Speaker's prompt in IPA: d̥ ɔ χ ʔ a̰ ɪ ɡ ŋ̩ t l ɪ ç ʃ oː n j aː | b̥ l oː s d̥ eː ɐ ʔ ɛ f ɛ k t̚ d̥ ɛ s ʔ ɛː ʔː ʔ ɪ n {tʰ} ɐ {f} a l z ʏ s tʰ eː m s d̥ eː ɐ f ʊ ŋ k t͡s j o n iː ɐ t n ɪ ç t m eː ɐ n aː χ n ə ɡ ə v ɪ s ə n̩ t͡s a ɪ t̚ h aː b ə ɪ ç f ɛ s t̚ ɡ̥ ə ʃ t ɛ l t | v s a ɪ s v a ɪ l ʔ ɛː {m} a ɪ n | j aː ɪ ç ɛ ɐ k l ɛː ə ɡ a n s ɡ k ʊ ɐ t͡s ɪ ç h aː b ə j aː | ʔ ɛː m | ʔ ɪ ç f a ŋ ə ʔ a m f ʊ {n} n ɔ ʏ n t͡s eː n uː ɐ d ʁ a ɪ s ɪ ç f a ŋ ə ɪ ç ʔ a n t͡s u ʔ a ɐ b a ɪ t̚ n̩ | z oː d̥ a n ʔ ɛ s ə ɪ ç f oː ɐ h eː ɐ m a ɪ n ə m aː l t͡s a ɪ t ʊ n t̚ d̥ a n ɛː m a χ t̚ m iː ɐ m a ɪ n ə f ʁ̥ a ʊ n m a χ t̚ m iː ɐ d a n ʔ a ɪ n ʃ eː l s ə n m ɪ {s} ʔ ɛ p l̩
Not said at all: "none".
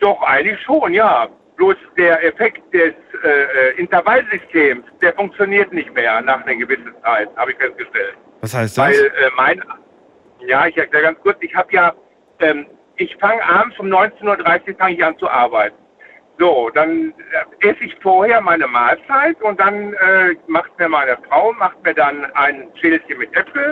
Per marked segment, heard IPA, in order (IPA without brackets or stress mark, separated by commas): t, v, m, m, t